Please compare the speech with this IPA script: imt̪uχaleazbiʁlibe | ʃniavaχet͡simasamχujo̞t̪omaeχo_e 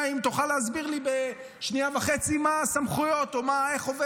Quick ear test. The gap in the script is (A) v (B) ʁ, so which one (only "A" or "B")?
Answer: A